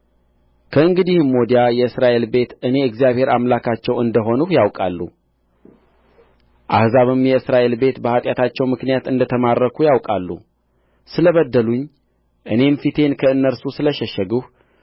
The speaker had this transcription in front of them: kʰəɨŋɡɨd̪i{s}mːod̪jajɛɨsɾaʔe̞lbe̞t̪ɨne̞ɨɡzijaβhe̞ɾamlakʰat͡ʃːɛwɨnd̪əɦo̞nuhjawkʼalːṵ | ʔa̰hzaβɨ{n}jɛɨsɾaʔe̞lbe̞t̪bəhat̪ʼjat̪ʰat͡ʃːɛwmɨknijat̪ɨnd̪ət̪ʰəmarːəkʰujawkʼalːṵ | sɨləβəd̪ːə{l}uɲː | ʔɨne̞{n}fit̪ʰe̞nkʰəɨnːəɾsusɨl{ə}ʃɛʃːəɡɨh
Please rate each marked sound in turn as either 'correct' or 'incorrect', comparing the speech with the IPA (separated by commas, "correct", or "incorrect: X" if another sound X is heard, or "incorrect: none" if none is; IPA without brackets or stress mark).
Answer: incorrect: h, incorrect: m, correct, incorrect: m, correct